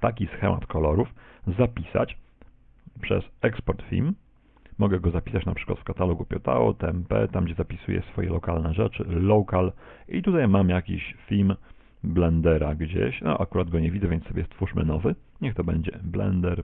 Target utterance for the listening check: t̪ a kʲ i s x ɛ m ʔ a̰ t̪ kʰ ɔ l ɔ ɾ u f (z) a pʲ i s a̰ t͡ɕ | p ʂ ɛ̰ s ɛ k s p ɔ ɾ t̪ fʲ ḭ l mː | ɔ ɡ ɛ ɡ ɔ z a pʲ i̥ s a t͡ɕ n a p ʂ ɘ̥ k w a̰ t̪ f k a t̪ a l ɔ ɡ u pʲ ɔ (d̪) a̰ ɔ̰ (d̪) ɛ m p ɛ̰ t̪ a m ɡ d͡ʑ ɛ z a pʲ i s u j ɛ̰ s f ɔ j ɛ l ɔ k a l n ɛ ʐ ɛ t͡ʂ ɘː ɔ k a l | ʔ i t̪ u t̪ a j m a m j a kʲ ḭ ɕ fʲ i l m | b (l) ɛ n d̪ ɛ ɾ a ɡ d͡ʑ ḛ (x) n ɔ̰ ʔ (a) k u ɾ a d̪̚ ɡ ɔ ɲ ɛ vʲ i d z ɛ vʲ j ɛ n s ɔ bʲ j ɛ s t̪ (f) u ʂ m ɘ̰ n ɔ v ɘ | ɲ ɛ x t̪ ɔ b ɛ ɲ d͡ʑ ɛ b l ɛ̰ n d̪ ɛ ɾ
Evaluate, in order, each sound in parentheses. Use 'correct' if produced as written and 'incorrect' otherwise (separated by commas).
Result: correct, incorrect, incorrect, correct, incorrect, correct, correct